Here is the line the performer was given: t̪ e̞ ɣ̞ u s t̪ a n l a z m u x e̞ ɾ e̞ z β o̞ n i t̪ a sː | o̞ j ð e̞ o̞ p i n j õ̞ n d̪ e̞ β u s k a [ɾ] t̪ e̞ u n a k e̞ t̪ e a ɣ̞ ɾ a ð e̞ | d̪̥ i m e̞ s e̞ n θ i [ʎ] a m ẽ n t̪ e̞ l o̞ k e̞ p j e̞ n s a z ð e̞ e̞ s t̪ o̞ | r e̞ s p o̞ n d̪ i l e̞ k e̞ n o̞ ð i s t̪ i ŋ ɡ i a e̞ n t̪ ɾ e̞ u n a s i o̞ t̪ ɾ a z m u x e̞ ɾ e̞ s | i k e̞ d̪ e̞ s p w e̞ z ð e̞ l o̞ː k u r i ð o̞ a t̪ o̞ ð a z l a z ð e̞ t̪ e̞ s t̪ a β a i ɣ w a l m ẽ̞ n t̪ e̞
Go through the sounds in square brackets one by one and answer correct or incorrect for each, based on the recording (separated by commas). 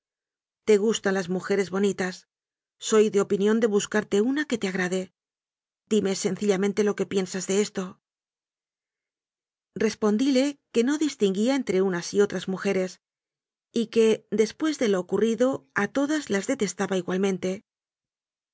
correct, correct